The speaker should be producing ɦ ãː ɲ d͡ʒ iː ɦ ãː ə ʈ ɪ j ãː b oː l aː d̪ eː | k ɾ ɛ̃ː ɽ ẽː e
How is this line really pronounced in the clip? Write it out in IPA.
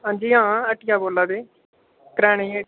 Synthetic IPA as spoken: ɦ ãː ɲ d͡ʒ iː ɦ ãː ə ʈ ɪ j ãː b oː l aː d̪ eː | k ɾ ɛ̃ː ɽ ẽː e